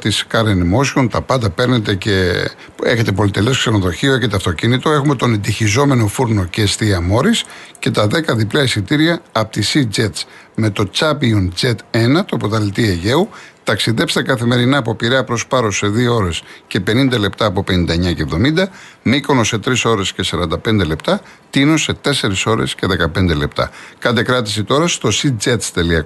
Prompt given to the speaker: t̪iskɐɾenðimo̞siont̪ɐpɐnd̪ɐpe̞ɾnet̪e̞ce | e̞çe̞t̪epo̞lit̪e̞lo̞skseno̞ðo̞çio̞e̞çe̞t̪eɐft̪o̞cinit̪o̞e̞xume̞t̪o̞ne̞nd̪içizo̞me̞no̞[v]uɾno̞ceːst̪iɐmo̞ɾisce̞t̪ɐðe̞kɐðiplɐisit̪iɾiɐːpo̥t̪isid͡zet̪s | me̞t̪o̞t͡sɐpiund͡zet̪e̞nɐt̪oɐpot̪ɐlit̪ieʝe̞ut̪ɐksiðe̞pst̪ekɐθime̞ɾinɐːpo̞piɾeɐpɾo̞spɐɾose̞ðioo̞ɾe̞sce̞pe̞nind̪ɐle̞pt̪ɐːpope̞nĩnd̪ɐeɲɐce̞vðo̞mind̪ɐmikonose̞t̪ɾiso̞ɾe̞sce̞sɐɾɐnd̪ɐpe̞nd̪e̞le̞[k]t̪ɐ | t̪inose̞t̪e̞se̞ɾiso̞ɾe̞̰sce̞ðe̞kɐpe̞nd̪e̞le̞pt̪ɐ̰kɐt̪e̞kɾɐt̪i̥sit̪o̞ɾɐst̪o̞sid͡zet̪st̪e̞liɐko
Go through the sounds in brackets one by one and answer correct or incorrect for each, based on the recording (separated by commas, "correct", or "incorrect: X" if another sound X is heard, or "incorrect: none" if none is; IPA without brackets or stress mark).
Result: incorrect: f, incorrect: p